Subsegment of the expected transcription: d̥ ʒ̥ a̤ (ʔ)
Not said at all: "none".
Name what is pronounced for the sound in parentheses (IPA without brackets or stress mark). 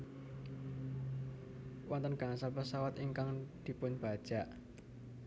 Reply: ʔ